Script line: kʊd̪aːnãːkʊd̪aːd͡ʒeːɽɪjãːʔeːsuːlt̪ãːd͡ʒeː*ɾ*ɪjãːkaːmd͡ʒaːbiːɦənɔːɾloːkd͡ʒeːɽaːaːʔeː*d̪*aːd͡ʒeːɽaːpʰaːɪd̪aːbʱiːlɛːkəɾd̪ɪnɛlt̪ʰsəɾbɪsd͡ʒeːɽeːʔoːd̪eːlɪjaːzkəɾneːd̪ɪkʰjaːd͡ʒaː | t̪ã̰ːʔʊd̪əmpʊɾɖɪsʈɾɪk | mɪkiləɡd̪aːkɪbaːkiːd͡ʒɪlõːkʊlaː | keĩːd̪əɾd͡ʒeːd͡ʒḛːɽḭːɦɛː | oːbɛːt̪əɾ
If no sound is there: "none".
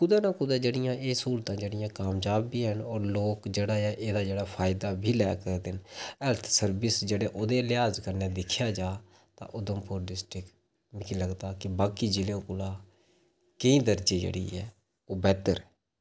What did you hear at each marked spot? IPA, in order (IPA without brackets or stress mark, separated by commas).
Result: ɽ, d̪